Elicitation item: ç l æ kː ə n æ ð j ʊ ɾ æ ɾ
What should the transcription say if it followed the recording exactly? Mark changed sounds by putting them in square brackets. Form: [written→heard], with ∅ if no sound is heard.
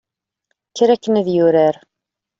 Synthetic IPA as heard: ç [l→ɾ] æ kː ə n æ ð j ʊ ɾ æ ɾ